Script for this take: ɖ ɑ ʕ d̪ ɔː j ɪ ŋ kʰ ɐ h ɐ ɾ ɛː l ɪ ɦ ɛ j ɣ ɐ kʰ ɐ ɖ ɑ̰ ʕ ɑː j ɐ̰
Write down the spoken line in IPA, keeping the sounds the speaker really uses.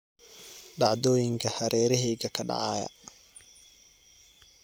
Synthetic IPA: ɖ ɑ ʕ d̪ ɔː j ɪ ŋ kʰ ɐ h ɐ ɾ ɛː ɾ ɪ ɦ ɛ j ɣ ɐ kʰ ɐ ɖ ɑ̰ ʕ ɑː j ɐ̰